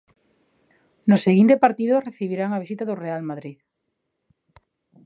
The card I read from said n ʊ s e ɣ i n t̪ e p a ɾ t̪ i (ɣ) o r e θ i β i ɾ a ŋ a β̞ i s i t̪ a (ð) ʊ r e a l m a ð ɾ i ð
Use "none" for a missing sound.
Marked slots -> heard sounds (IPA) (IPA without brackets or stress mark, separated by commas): ð, ð